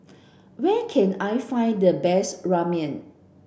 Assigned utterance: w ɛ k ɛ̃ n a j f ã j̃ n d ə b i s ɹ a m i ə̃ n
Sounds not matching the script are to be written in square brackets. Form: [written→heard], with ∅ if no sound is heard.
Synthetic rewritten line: w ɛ [k→kʰ] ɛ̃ n a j f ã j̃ n d ə b [i→ɛ] s ɹ a m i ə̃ n

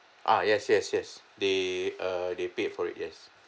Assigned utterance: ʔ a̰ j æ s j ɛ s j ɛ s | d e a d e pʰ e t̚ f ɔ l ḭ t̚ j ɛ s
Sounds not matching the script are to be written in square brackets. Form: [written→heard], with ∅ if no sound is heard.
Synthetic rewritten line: ʔ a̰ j [æ→ɛ] s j ɛ s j ɛ s | d e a d e [pʰ→p] e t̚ f ɔ [l→ɹ] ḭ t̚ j ɛ s

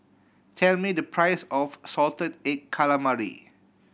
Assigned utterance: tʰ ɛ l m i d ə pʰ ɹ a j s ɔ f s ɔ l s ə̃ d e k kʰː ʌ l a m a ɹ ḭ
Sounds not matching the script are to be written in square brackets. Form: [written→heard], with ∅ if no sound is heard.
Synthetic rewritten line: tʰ ɛ l m i d ə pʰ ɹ a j s ɔ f s ɔ l [s→t] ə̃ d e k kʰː [ʌ→a] l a m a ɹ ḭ

